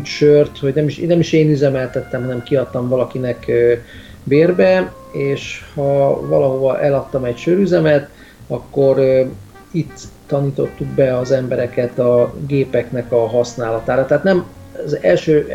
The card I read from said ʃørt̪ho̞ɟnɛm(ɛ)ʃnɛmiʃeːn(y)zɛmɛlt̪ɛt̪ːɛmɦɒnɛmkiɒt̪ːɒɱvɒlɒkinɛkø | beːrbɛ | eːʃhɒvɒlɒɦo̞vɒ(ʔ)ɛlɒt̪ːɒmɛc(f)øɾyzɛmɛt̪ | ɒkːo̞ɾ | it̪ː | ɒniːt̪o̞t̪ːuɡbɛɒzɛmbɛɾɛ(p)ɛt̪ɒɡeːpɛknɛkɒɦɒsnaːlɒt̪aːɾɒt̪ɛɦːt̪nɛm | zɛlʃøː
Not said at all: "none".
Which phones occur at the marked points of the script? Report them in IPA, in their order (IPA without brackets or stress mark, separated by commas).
i, y, ʔ, ʃ, k